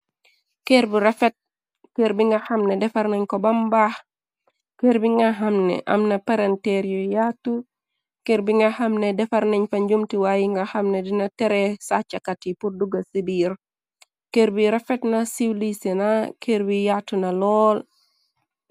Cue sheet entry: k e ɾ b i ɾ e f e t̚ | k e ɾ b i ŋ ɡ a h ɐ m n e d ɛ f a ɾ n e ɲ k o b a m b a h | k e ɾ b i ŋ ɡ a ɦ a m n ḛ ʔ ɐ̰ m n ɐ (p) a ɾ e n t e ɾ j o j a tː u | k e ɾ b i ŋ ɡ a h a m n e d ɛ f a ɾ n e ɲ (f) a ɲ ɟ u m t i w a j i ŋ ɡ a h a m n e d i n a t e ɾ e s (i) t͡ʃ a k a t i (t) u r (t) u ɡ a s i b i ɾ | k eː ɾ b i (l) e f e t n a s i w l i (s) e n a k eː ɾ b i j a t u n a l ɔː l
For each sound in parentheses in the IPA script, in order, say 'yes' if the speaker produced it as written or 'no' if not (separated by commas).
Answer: yes, yes, no, no, no, no, yes